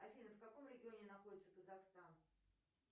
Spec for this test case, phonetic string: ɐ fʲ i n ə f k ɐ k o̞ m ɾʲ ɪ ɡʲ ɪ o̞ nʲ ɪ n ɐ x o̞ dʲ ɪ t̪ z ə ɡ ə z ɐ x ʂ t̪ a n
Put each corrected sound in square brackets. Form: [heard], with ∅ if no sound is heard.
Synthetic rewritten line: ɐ fʲ i n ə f k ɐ k o̞ m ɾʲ ɪ ɡʲ ɪ o̞ nʲ ɪ n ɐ x o̞ dʲ ɪ t̪ [s] ə [k] ə z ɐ x [s] t̪ a n